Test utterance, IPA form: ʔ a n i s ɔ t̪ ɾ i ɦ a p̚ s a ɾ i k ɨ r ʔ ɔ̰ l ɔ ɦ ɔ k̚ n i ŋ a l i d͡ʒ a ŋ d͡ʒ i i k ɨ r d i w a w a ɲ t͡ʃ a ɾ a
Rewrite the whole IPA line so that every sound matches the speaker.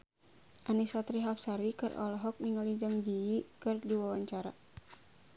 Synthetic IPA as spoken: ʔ a n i s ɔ t̪ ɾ i ɦ a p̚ s a ɾ i k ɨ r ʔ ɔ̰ l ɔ ɦ ɔ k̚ n i ŋ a l i d͡ʒ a ŋ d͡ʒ i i k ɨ r d i w a w a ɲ t͡ʃ a ɾ a